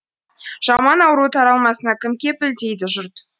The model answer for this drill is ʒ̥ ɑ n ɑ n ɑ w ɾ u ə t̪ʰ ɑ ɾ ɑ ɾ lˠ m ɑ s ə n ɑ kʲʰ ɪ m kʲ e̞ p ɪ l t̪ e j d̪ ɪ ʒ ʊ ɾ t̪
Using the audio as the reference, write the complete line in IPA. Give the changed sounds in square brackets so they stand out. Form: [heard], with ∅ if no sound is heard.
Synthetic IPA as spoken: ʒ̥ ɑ [m] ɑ n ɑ w ɾ u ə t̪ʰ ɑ ɾ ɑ [∅] lˠ m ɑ s ə n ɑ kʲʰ ɪ m kʲ e̞ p ɪ l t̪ e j d̪ ɪ ʒ ʊ ɾ t̪